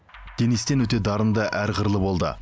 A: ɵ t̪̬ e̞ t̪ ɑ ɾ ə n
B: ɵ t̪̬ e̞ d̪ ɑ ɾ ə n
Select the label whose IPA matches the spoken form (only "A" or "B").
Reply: B